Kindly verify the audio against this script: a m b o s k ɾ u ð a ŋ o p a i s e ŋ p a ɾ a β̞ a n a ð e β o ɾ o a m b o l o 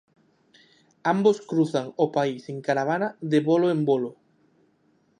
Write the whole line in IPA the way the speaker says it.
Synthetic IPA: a m b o s k ɾ u θ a ŋ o p a i s e ŋ k a ɾ a β̞ a n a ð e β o l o e m b o l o